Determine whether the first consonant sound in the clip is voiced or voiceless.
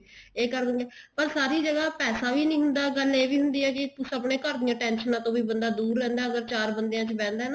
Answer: voiceless